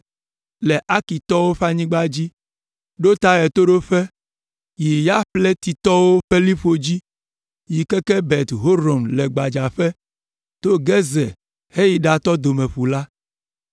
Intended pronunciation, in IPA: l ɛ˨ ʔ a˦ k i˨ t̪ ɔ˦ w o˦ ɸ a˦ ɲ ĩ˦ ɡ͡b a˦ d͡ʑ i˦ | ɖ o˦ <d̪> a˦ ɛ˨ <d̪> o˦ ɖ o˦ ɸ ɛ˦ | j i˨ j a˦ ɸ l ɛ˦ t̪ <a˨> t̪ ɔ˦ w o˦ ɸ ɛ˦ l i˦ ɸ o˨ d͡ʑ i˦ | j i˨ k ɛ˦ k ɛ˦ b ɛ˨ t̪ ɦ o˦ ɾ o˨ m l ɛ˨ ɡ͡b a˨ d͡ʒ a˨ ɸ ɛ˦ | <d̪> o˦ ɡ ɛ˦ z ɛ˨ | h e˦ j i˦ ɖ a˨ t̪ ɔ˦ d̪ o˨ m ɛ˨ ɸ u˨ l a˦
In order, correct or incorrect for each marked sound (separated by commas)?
incorrect, incorrect, incorrect, incorrect